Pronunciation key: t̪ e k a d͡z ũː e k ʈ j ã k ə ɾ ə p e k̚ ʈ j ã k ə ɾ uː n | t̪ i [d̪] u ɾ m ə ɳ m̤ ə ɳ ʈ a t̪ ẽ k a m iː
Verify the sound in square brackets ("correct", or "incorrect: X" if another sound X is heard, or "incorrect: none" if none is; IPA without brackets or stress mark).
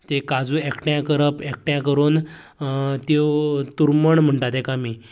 incorrect: t̪